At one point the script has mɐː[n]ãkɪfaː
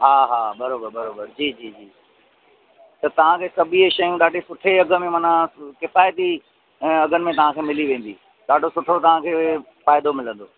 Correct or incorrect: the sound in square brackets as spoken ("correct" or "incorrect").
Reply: correct